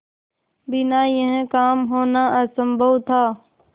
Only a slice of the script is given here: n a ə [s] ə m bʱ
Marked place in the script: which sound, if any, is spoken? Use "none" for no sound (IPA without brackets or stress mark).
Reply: s